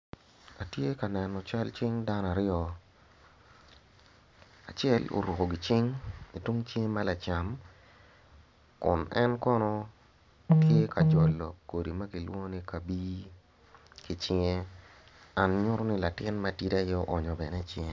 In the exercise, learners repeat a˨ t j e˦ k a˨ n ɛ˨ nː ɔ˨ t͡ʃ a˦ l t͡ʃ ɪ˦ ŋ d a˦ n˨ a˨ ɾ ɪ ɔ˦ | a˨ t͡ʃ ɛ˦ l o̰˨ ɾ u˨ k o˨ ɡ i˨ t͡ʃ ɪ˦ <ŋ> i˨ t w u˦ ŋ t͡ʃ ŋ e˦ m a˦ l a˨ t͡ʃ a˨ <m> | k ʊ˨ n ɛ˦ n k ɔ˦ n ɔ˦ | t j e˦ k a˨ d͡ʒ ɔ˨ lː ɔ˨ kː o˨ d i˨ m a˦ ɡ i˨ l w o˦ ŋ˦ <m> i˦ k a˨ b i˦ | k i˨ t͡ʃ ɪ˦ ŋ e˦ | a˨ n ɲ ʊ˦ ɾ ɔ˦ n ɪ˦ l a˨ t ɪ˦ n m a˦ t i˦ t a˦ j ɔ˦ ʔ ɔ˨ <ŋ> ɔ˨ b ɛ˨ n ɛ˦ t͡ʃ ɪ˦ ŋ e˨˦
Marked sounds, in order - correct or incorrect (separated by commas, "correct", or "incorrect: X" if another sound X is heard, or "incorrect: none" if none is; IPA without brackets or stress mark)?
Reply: correct, correct, incorrect: n, incorrect: ɲ